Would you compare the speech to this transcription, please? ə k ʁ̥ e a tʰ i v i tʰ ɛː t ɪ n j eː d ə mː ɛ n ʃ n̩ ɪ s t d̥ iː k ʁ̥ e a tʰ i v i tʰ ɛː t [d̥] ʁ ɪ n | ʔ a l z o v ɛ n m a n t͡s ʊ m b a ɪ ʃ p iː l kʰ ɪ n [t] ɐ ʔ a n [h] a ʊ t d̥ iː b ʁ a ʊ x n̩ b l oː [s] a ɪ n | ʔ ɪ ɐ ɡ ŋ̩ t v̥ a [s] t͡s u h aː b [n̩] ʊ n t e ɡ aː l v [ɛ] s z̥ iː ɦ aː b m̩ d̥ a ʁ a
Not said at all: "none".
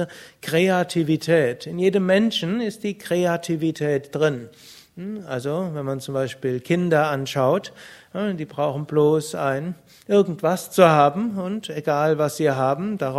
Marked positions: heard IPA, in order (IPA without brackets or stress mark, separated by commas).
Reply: d̥, d, ʃ, s, s, m̩, a